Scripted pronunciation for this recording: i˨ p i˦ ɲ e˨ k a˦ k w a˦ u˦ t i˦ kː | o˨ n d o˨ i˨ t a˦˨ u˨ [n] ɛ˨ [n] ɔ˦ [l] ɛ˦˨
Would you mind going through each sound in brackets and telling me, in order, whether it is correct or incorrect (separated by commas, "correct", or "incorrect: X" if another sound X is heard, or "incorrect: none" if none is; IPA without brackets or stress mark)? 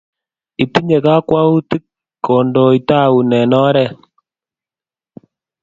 correct, correct, incorrect: ɾ